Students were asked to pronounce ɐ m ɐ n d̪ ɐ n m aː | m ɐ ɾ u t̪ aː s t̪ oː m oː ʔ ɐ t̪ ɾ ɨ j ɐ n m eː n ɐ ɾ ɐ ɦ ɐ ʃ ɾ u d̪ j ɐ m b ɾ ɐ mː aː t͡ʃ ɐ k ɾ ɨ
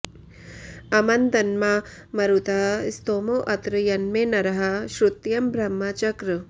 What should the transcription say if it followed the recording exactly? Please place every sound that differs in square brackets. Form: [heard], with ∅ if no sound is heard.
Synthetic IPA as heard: ɐ m ɐ n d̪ ɐ n m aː | m ɐ ɾ u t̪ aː s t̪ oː m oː ʔ ɐ t̪ ɾ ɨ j ɐ n m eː n ɐ ɾ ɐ ɦ ɐ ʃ ɾ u [t̪] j ɐ m b ɾ ɐ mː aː t͡ʃ ɐ k ɾ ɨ